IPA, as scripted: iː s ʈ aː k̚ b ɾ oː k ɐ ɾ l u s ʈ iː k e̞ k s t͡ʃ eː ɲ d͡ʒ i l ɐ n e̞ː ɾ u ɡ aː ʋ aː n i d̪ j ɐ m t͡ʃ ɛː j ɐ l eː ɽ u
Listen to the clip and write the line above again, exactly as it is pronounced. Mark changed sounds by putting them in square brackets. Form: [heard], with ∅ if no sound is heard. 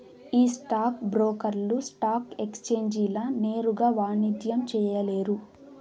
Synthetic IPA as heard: iː s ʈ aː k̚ b ɾ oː k ɐ ɾ l u s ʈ [aː] k e̞ k s t͡ʃ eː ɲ d͡ʒ i l ɐ n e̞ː ɾ u ɡ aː ʋ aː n i d̪ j ɐ m t͡ʃ ɛː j ɐ l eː [ɾ] u